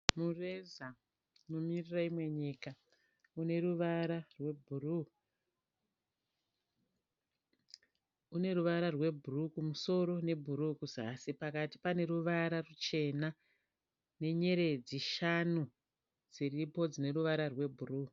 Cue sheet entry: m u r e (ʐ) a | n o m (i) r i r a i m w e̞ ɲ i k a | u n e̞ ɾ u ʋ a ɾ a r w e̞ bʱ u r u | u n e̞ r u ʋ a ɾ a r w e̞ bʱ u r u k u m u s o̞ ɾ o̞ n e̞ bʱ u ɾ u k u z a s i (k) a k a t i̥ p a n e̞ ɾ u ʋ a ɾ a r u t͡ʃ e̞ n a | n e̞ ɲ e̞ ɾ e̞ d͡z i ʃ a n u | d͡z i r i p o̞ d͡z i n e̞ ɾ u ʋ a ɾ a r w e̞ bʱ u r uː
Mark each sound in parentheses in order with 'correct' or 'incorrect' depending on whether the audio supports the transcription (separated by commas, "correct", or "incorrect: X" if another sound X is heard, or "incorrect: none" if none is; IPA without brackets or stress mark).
incorrect: z, correct, incorrect: p